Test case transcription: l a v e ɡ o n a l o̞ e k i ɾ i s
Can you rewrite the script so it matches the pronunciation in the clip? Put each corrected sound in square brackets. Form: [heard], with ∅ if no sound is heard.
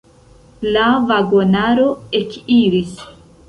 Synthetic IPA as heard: l a v [a] ɡ o n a [ɾ] o̞ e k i ɾ i s